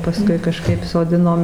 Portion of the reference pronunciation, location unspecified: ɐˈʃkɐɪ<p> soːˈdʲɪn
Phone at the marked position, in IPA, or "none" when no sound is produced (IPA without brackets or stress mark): p